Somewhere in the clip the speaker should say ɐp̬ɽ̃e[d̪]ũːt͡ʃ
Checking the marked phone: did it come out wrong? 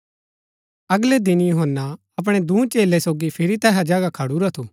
no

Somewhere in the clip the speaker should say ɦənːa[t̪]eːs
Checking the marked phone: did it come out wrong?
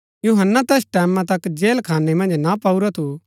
no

